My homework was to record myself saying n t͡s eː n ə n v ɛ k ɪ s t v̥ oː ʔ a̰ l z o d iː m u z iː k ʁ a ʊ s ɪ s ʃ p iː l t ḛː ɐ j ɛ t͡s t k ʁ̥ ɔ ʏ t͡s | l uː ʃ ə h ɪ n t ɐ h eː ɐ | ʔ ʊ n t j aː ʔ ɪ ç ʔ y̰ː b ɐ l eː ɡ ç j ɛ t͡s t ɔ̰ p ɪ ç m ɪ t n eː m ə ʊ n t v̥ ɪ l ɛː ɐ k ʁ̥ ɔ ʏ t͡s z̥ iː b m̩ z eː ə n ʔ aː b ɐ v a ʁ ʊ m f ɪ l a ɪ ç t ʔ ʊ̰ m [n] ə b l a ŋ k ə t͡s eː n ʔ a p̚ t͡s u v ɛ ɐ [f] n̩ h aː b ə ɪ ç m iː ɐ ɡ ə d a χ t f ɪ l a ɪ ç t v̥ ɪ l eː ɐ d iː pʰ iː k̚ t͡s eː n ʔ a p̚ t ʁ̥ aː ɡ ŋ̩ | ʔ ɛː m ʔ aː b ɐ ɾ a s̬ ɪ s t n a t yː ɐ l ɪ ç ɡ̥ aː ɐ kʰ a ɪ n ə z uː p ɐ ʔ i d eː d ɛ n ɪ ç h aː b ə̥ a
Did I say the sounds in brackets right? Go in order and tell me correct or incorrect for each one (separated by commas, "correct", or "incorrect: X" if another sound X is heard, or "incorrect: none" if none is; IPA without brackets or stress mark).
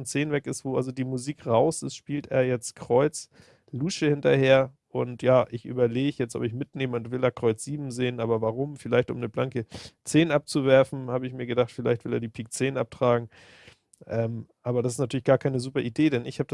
correct, correct